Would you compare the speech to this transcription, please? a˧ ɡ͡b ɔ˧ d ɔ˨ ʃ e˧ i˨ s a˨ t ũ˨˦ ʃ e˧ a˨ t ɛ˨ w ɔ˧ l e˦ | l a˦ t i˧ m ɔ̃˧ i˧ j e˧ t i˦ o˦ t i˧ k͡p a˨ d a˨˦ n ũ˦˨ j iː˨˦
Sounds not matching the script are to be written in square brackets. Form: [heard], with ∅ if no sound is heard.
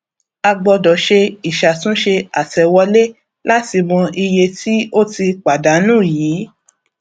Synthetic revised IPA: a˧ ɡ͡b ɔ˧ d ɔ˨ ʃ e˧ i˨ [ʃ] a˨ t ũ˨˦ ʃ e˧ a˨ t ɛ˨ w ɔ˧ l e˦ | l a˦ t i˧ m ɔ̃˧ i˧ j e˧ t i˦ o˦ t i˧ k͡p a˨ d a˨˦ n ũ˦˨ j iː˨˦